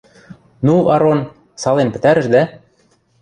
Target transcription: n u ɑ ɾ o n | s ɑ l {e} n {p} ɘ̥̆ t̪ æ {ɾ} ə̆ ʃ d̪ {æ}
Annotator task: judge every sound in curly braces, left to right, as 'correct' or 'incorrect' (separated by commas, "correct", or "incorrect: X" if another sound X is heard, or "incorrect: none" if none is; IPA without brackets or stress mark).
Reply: correct, correct, correct, correct